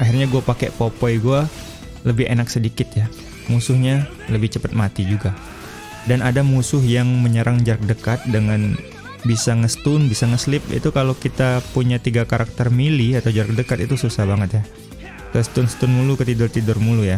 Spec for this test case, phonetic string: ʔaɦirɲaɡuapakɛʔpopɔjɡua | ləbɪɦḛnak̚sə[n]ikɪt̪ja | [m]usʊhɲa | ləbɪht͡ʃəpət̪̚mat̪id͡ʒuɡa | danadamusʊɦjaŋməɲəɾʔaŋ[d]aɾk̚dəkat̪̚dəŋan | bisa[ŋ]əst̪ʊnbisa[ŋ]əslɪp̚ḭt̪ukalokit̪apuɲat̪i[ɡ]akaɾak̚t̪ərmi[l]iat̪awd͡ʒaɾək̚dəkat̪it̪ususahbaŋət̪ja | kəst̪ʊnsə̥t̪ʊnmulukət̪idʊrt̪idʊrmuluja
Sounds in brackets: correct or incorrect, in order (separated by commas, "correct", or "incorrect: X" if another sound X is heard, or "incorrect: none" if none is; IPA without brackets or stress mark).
incorrect: d, correct, incorrect: d͡ʒ, correct, correct, correct, correct